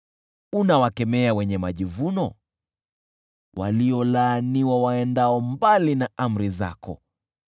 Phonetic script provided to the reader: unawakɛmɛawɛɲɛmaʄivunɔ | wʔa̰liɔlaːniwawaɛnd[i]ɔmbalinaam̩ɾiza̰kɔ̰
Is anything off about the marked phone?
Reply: yes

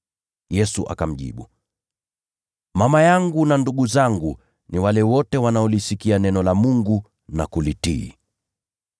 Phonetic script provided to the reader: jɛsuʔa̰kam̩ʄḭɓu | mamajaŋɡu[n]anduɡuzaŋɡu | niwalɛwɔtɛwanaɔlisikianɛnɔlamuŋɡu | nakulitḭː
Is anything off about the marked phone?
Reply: no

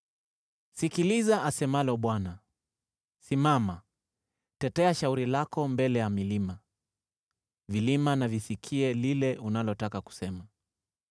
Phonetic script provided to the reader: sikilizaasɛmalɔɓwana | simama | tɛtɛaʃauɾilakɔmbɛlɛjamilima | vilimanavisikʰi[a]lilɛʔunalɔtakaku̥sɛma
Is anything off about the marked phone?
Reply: yes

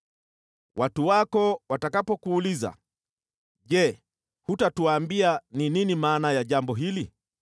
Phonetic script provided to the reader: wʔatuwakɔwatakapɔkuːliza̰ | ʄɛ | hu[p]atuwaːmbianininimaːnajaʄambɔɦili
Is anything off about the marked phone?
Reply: yes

